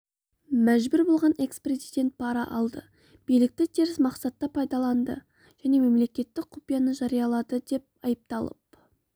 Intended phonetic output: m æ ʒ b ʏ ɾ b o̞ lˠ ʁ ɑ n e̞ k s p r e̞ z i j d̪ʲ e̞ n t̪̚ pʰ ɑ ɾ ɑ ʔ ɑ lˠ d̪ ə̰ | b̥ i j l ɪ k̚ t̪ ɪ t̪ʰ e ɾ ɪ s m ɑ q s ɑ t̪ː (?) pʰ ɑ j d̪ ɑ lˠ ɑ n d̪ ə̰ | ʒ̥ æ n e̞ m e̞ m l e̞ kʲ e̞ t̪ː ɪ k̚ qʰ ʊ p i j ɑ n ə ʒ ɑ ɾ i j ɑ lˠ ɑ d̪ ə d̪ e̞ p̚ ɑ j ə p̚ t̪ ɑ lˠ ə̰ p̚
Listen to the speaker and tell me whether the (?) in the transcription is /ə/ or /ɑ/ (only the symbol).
ɑ